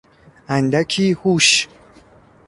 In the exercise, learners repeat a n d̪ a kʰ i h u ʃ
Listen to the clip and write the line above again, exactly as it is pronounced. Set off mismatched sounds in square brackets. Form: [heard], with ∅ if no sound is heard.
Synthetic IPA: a n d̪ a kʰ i h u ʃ